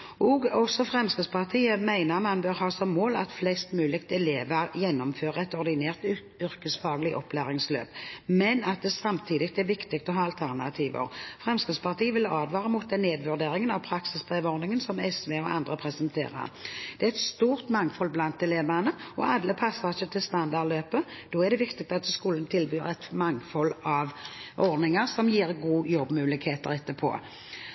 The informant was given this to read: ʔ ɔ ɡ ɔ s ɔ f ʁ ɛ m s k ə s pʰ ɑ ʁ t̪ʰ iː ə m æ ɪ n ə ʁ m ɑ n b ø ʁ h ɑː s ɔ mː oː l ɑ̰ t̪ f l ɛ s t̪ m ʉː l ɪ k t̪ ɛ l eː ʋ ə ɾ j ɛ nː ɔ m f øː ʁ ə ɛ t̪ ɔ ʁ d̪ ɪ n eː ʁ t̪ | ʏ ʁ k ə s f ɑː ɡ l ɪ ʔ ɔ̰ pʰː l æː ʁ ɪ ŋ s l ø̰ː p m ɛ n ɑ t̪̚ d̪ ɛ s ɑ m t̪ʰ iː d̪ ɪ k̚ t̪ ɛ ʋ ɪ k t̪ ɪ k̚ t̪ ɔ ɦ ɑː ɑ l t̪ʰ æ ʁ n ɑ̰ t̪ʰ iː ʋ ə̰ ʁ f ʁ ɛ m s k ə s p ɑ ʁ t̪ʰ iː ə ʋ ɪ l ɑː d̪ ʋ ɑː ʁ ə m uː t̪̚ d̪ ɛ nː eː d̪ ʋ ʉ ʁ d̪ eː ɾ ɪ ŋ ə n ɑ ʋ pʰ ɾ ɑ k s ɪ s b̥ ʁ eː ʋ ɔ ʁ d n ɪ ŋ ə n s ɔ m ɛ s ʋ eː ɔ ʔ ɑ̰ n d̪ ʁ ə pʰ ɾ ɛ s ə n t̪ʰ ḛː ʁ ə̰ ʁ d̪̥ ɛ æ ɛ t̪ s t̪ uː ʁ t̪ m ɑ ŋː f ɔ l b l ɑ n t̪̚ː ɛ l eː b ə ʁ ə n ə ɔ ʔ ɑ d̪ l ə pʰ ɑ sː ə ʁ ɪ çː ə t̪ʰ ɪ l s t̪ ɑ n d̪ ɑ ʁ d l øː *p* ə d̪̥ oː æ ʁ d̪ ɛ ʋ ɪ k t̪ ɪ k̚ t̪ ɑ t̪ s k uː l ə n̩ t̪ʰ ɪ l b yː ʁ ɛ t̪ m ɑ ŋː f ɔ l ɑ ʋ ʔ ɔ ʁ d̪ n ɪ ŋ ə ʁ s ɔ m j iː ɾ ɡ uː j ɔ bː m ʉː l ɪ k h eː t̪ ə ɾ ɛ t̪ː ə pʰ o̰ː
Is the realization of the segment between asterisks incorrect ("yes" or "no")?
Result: no